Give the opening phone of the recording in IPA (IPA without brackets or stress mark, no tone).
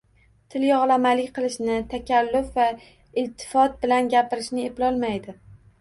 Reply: t̪ʰ